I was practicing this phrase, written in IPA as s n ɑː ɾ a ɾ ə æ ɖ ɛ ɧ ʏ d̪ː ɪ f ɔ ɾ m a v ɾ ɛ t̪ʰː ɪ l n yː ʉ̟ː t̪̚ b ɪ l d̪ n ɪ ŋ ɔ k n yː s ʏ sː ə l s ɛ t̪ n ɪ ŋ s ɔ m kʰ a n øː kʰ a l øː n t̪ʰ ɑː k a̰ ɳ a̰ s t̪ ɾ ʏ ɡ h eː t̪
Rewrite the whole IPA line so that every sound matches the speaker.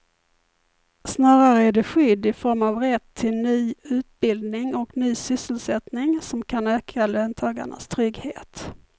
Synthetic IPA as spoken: s n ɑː ɾ a ɾ ə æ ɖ ɛ ɧ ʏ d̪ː ɪ f ɔ ɾ m a v ɾ ɛ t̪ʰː ɪ l n yː ʉ̟ː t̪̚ b ɪ l d̪ n ɪ ŋ ɔ k n yː s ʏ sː ə l s ɛ t̪ n ɪ ŋ s ɔ m kʰ a n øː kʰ a l øː n t̪ʰ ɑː ɡ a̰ ɳ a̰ s t̪ʰ ɾ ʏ ɡ h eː t̪